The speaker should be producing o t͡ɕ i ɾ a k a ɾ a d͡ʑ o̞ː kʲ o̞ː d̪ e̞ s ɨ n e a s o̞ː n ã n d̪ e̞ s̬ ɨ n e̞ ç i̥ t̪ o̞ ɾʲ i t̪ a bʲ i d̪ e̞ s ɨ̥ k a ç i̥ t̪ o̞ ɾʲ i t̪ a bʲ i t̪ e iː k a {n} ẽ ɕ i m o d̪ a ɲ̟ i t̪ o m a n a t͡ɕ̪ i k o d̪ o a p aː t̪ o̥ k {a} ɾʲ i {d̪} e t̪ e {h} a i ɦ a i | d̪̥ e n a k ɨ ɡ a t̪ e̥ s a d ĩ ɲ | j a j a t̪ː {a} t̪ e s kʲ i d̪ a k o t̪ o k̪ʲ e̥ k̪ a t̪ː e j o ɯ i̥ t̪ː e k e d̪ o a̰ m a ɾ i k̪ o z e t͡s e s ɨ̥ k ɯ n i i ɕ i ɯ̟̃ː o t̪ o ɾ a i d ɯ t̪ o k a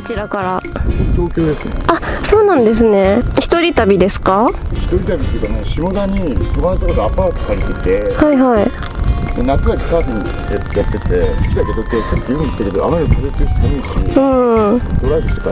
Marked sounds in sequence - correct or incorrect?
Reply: correct, correct, incorrect, correct, incorrect

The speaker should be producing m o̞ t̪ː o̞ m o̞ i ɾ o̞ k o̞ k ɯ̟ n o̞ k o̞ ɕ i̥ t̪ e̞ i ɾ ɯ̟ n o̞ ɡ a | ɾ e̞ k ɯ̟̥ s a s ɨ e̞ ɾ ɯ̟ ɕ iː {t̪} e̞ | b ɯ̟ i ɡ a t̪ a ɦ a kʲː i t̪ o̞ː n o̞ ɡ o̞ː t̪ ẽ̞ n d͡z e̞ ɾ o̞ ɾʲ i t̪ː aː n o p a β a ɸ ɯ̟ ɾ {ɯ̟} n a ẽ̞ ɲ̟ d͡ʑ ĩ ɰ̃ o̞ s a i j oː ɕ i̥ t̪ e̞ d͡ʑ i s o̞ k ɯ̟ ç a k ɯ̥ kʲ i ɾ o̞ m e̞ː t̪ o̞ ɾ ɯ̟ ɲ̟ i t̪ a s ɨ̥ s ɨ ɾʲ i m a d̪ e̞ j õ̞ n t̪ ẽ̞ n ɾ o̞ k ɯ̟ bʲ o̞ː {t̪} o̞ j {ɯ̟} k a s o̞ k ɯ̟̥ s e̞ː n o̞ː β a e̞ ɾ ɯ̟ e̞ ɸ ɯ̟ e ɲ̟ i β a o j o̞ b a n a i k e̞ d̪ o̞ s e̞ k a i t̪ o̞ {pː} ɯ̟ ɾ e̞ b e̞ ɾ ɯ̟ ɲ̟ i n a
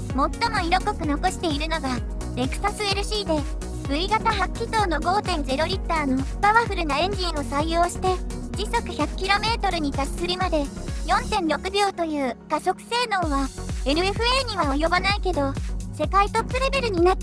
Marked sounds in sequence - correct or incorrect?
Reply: incorrect, correct, correct, incorrect, correct

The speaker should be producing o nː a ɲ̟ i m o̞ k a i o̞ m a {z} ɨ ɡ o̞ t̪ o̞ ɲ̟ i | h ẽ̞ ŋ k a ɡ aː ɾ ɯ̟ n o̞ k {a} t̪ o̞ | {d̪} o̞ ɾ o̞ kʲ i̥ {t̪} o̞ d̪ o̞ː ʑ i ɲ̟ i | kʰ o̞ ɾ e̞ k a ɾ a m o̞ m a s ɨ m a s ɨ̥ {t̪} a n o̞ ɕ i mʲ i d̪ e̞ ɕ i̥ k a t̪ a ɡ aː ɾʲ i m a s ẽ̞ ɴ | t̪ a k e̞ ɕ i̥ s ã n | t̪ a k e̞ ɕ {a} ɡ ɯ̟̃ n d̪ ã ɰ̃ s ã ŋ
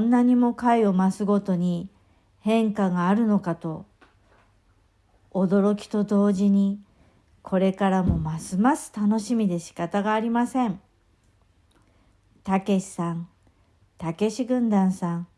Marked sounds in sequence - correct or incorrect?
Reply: incorrect, correct, correct, correct, correct, incorrect

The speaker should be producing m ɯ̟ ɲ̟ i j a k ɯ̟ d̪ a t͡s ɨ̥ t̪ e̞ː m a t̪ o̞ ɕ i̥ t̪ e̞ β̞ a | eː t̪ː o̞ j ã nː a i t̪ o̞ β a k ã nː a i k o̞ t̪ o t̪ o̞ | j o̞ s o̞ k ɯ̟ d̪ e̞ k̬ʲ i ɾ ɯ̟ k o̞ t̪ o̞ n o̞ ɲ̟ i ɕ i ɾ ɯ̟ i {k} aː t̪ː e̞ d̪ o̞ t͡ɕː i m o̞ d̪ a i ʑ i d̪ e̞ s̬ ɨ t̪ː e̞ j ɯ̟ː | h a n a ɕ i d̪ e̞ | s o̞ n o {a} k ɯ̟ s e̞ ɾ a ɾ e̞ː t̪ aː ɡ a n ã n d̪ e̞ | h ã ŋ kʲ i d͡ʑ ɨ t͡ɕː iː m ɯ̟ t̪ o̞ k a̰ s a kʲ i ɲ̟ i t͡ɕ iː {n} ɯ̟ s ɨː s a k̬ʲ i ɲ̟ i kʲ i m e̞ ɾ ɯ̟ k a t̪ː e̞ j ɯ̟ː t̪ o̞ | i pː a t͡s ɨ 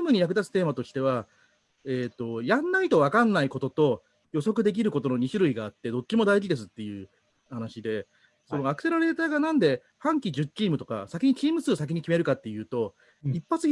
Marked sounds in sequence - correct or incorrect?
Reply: incorrect, correct, incorrect

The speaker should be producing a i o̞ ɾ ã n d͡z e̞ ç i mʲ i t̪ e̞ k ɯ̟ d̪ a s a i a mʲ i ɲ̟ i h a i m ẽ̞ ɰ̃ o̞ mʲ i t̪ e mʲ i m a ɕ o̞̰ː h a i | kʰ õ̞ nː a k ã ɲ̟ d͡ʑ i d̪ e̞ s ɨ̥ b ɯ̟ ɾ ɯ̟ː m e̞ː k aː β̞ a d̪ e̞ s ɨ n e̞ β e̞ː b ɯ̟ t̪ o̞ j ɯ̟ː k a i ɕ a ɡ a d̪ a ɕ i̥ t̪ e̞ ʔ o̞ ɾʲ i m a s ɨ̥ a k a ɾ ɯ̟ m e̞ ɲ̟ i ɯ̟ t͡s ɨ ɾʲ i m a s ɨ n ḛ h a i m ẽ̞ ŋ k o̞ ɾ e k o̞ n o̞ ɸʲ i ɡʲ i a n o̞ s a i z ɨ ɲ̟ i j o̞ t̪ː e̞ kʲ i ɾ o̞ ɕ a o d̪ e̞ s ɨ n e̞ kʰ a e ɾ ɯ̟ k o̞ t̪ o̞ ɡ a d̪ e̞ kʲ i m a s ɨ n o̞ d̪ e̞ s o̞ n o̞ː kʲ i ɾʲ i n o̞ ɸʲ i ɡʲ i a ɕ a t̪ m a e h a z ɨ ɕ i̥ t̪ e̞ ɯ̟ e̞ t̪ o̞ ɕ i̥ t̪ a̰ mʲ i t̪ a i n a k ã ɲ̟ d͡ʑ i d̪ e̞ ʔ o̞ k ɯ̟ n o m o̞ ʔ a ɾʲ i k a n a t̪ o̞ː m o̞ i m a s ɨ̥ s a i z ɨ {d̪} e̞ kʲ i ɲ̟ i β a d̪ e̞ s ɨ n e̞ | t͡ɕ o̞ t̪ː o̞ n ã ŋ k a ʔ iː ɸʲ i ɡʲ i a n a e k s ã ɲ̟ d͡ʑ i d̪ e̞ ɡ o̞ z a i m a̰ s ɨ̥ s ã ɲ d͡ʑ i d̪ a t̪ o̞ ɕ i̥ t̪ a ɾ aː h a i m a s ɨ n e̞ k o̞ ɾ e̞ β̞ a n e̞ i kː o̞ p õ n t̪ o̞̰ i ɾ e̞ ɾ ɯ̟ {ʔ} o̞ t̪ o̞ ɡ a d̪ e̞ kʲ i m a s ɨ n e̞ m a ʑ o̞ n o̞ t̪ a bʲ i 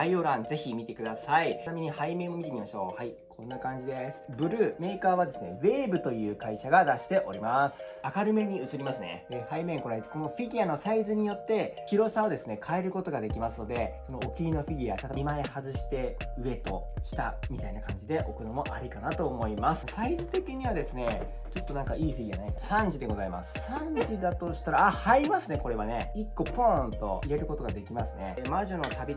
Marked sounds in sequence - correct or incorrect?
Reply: incorrect, incorrect

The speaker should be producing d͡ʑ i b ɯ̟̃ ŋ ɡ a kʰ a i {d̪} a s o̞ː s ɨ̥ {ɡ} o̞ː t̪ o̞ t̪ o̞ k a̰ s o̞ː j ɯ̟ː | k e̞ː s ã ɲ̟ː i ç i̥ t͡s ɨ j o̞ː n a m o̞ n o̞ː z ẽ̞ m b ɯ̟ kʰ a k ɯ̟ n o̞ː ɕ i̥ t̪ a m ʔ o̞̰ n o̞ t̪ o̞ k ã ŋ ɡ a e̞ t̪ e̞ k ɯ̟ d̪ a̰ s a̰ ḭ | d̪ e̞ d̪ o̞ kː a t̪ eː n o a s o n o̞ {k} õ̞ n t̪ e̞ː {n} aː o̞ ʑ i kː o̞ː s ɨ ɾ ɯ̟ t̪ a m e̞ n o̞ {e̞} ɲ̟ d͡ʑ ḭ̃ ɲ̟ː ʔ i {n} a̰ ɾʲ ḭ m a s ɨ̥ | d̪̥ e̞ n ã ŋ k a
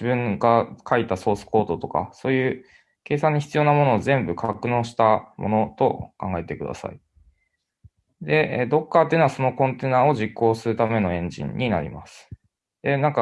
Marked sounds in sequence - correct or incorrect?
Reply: incorrect, incorrect, correct, correct, incorrect, correct

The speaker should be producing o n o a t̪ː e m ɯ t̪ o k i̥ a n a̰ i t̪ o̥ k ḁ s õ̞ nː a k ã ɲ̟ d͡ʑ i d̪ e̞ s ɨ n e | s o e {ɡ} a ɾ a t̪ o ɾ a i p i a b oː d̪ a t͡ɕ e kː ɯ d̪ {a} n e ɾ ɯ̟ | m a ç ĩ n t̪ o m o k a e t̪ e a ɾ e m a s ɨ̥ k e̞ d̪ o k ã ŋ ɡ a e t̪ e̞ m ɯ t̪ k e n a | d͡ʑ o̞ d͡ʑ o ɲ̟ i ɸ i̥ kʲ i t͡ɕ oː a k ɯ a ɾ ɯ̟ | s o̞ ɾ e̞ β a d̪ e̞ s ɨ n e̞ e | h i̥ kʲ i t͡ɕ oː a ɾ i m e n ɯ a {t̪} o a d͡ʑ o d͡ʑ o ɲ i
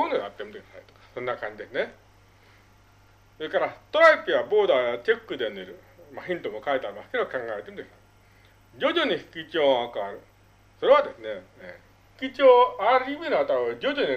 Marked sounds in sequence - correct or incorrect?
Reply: incorrect, incorrect, correct

